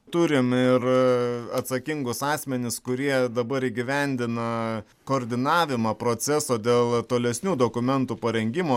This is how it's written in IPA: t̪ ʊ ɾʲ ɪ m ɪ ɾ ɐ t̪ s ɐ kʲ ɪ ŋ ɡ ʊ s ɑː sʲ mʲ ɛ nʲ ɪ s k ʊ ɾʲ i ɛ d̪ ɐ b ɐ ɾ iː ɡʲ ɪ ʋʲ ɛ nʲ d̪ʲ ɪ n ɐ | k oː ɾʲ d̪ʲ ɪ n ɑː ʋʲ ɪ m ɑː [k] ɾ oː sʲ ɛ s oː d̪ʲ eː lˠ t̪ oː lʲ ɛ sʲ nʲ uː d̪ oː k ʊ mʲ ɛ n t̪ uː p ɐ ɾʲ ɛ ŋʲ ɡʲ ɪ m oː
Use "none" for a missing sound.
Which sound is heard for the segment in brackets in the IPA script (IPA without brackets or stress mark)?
p